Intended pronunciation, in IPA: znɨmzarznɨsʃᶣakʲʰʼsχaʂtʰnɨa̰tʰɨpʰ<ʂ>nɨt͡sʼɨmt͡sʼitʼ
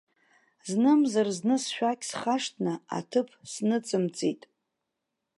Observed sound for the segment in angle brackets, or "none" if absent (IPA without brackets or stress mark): s